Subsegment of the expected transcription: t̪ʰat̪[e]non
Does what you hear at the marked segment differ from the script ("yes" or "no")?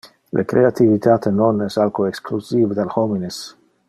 no